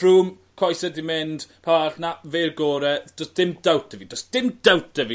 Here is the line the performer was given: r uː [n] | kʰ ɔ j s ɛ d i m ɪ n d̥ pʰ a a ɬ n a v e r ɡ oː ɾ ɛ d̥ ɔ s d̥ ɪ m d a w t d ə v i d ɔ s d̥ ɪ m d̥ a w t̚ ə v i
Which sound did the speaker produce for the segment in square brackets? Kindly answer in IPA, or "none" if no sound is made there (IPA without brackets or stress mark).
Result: m